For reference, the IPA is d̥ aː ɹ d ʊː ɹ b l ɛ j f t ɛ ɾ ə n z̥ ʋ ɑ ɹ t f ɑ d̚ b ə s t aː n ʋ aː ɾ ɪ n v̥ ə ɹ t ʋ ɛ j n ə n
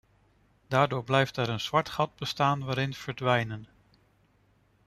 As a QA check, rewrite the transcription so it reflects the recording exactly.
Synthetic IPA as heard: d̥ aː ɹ d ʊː ɹ b l ɛ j f t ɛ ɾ ə n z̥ ʋ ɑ ɹ t χ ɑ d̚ b ə s t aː n ʋ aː ɾ ɪ n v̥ ə ɹ d ʋ ɛ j n ə n